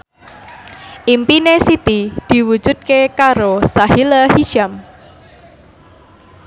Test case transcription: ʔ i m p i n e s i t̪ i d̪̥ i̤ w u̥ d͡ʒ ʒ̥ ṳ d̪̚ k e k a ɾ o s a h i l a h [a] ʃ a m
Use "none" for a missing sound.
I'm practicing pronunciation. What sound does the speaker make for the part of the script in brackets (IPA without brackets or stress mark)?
i